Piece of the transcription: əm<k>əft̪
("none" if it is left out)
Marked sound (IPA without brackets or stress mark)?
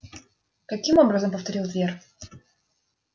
p